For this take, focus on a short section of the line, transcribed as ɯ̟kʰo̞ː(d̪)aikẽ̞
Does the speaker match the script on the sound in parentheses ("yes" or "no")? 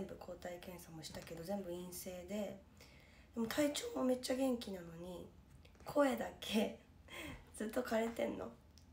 no